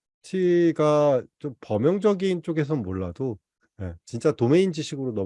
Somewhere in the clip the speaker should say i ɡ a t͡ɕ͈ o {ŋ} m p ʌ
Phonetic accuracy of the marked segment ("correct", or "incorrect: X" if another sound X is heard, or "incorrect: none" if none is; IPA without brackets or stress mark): incorrect: none